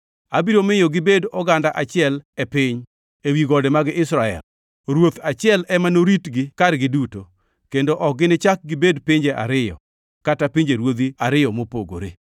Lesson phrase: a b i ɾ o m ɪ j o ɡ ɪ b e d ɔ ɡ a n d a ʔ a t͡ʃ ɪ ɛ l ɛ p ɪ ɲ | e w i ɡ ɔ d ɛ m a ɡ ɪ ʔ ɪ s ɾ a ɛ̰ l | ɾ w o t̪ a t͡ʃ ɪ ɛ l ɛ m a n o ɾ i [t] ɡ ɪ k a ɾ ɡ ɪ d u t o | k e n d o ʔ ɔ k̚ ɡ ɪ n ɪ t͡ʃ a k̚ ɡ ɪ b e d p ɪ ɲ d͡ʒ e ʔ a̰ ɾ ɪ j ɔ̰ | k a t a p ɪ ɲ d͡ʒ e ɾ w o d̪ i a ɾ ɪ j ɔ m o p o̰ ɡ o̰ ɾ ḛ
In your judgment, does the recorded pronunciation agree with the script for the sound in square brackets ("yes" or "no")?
yes